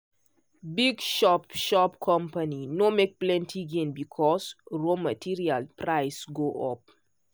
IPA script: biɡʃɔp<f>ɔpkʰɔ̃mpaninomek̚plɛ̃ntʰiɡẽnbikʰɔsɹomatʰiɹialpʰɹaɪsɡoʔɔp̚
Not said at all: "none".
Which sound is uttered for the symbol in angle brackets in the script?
ʃ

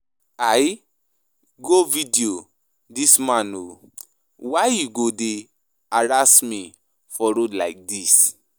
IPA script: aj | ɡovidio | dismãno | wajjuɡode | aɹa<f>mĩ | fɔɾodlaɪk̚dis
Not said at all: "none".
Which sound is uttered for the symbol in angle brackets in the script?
s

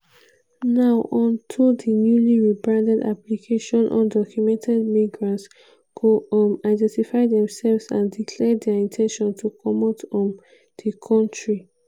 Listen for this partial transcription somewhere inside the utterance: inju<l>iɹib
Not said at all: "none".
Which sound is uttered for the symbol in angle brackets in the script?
l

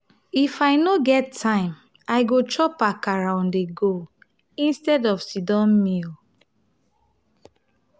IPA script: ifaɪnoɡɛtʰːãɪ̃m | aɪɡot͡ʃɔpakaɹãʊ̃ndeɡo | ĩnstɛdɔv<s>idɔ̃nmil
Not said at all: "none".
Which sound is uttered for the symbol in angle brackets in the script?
s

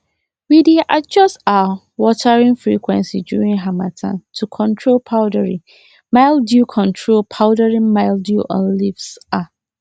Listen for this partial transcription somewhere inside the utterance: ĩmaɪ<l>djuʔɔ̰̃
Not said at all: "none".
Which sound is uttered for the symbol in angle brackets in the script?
l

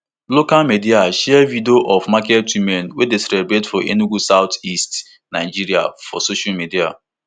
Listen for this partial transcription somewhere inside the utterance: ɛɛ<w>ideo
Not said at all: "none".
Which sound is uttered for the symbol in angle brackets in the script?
v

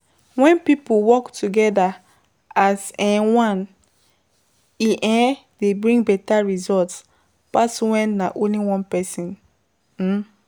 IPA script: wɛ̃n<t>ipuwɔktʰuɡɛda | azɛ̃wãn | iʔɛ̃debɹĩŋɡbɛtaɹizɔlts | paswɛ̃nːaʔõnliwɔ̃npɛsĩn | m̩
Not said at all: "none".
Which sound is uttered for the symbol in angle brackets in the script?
p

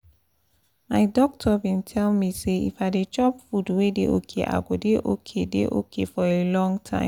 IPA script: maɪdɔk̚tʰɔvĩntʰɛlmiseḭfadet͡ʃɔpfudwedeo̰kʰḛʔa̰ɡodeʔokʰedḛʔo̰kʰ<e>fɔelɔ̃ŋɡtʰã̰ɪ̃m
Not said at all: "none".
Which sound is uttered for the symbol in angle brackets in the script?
e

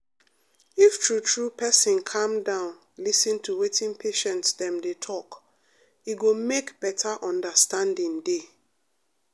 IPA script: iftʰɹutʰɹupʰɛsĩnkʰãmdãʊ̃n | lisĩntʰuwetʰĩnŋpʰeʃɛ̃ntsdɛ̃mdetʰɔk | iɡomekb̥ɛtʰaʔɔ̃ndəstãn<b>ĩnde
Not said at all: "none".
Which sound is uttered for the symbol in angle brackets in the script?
d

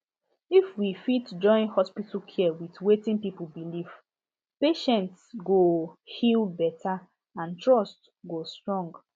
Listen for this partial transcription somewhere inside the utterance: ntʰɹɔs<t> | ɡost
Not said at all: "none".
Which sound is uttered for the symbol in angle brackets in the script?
t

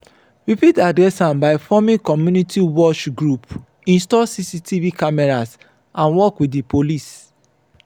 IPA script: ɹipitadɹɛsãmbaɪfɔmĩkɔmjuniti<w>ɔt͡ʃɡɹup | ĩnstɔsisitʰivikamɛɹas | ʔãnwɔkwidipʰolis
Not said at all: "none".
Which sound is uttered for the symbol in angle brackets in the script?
w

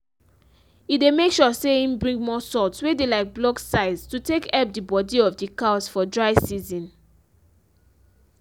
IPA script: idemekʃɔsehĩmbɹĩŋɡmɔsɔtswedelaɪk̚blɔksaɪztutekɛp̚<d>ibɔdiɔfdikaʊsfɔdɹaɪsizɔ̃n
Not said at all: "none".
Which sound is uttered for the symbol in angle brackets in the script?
d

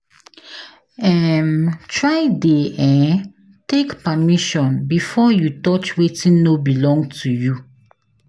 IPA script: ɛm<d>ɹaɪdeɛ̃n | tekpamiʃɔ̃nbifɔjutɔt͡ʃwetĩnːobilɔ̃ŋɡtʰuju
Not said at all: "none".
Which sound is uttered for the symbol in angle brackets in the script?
t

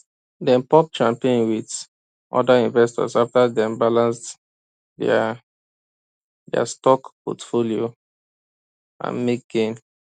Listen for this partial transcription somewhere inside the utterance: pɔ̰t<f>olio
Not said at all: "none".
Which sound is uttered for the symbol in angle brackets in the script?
f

